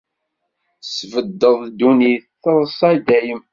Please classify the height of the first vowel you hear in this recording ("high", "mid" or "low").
mid